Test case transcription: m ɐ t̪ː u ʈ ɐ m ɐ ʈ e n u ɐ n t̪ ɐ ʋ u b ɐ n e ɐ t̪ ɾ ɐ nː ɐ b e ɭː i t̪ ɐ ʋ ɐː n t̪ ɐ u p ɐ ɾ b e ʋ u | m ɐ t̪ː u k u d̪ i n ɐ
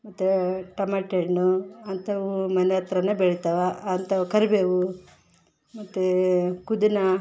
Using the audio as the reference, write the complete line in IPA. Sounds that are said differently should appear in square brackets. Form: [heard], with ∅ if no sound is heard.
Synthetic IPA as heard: m ɐ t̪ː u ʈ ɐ m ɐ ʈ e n u ɐ n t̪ ɐ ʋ u [m] ɐ n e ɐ t̪ ɾ ɐ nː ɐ b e [ɭ] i t̪ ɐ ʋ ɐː n t̪ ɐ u [k] ɐ ɾ b e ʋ u | m ɐ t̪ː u k u d̪ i n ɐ